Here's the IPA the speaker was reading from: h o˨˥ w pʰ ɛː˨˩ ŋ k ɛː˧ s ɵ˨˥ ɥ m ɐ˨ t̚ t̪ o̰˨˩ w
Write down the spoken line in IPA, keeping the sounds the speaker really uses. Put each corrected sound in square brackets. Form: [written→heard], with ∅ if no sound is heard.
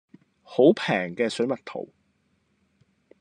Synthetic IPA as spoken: h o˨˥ w pʰ ɛː˨˩ ŋ k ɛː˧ s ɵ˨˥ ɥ m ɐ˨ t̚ [t̪→t̪ʰ] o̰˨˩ w